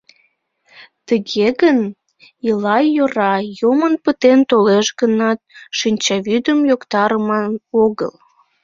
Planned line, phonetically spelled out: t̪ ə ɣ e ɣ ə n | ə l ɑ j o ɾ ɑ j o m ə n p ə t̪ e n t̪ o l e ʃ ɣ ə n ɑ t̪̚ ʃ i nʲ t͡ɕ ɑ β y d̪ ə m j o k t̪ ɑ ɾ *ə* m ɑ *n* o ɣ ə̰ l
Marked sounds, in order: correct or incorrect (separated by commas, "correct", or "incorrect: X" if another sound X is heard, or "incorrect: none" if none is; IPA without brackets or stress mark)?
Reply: correct, correct